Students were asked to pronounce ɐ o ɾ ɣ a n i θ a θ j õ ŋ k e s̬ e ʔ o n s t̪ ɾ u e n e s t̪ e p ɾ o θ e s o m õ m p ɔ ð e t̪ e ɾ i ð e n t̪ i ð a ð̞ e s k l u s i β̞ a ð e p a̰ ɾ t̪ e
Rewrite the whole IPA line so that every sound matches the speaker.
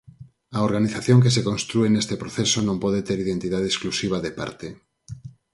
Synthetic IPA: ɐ o ɾ ɣ a n i θ a θ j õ ŋ k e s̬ e k o n s t̪ ɾ u e n e s t̪ e p ɾ o θ e s o n õ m p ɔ ð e t̪ e ɾ i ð e n t̪ i ð a ð̞ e s k l u s i β̞ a ð e p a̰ ɾ t̪ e